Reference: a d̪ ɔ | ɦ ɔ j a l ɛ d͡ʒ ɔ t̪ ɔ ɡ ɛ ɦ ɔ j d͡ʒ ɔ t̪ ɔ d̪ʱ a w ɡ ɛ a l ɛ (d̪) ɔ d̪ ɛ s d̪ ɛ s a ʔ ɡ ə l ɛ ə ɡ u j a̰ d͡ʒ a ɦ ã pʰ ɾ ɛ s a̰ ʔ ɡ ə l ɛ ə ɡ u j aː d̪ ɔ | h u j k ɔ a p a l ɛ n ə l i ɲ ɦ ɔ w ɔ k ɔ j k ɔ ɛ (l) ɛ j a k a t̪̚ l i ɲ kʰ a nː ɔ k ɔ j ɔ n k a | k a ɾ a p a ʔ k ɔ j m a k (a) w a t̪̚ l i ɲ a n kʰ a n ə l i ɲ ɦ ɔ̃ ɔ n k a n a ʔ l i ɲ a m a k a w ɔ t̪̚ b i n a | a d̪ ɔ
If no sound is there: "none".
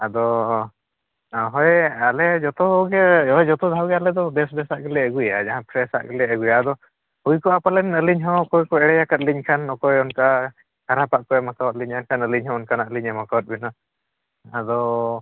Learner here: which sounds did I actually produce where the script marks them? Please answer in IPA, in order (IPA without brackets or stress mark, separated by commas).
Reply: d̪, ɽ, a